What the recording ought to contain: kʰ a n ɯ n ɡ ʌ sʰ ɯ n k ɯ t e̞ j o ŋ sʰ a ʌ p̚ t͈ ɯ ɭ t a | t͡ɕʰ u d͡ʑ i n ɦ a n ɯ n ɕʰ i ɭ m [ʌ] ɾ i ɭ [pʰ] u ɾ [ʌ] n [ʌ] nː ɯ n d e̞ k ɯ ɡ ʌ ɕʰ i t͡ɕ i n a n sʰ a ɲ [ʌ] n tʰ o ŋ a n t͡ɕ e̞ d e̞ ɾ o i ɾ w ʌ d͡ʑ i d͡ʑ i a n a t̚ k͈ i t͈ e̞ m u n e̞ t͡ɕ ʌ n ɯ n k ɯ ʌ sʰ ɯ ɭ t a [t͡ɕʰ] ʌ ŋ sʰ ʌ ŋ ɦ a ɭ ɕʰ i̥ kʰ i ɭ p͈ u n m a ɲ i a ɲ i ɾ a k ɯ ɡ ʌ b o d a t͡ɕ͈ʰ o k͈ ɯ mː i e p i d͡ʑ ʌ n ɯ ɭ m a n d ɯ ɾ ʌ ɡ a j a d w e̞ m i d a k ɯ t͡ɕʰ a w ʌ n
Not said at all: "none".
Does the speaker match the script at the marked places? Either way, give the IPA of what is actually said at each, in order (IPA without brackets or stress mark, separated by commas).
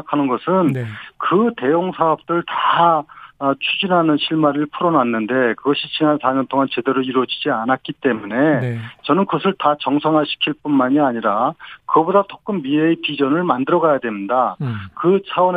a, pʰ, ʌ, a, ʌ, t͡ɕ